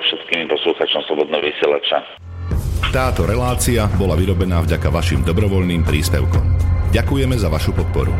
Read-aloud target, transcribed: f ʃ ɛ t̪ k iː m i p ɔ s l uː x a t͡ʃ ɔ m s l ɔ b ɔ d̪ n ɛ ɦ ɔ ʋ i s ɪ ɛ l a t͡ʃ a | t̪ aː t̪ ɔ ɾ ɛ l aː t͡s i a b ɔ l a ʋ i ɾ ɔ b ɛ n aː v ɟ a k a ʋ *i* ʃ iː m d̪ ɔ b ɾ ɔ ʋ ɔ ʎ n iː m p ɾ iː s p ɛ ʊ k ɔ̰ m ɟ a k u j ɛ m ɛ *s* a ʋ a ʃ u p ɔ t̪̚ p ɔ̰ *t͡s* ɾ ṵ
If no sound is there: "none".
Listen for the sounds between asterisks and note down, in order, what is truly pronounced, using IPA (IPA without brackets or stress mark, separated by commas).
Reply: a, z, none